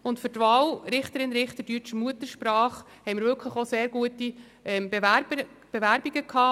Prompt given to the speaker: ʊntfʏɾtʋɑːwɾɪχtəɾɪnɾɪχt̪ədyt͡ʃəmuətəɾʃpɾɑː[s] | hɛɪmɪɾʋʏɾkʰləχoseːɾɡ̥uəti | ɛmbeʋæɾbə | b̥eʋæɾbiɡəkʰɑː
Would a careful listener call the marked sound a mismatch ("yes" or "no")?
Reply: yes